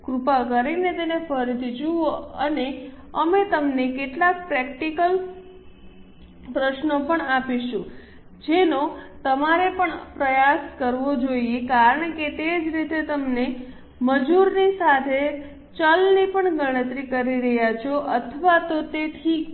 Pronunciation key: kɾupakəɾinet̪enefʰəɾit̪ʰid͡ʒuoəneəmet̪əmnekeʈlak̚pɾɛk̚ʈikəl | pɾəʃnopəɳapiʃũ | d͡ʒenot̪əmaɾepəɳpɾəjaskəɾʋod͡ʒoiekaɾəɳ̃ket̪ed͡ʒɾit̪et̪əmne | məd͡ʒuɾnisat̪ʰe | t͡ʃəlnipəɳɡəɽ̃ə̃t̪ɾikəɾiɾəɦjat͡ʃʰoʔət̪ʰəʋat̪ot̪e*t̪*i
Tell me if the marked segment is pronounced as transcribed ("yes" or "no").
no